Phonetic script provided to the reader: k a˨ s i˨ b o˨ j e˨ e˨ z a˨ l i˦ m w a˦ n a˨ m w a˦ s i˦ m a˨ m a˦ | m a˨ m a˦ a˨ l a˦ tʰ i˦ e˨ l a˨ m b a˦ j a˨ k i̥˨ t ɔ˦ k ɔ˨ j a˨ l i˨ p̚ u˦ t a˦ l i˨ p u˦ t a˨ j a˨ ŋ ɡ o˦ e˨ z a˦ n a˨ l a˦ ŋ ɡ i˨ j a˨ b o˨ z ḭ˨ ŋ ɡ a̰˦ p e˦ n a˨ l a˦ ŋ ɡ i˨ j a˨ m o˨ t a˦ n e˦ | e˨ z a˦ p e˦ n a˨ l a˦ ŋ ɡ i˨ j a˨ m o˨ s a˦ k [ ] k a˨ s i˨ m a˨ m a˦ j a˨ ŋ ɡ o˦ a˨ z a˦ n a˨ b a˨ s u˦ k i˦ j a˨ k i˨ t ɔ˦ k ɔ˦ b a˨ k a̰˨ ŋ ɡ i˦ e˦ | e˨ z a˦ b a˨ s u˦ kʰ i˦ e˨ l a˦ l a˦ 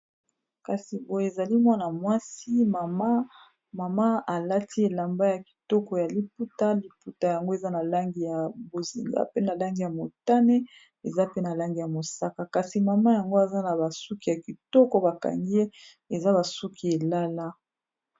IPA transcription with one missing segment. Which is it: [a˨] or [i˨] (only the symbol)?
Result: a˨